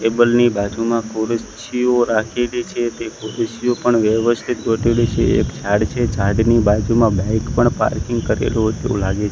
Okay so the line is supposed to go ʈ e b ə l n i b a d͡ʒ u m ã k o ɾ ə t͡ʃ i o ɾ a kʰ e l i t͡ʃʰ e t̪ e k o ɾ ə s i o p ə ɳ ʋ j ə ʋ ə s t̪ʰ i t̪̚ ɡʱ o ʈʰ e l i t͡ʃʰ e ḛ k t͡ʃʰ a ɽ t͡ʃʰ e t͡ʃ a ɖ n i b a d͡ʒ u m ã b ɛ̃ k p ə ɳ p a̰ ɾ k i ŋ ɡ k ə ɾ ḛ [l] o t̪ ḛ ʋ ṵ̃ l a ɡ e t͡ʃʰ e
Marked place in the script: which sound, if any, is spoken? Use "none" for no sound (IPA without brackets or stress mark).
l